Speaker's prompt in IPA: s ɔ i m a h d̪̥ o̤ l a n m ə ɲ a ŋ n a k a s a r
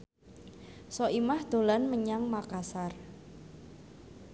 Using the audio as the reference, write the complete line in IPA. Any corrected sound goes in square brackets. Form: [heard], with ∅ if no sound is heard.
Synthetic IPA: s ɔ i m a h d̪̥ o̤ l a n m ə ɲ a ŋ [m] a k a s a r